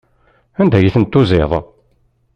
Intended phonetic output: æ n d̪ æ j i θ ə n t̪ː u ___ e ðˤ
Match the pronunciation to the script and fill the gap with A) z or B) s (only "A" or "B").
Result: A